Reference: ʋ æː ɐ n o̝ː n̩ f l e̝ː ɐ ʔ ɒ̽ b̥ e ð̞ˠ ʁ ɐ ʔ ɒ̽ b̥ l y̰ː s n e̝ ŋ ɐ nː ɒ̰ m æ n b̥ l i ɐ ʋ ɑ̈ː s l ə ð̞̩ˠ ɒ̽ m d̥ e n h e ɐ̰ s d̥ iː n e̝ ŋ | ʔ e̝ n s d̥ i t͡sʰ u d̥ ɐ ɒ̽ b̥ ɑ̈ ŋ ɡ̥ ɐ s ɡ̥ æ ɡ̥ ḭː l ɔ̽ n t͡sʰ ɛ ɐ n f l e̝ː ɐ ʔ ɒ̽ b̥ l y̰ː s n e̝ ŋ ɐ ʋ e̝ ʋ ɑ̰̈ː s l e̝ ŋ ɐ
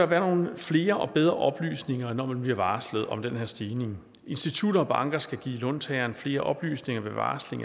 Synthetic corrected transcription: ʋ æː ɐ n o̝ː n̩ f l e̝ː ɐ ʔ ɒ̽ b̥ e ð̞ˠ ʁ ɐ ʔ ɒ̽ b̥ l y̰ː s n e̝ ŋ ɐ n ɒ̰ m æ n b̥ l i ɐ ʋ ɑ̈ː s l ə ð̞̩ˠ ɒ̽ m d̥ e n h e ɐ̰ s d̥ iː n e̝ ŋ | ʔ e̝ n s d̥ i t͡sʰ u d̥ ɐ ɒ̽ b̥ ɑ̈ ŋ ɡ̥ ɐ s ɡ̥ æ ɡ̥ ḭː l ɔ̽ n t͡sʰ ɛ ɐ n f l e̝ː ɐ ʔ ɒ̽ b̥ l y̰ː s n e̝ ŋ ɐ ʋ e̝ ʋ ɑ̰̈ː s l e̝ ŋ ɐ